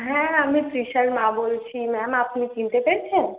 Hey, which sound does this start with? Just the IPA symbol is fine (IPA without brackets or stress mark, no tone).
ɦ